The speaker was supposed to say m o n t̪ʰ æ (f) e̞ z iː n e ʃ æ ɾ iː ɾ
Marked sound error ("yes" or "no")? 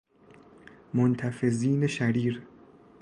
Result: no